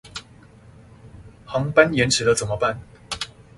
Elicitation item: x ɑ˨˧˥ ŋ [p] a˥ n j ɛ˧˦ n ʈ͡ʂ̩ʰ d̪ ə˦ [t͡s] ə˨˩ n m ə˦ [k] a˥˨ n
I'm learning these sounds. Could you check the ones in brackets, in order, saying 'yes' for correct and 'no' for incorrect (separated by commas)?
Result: yes, yes, no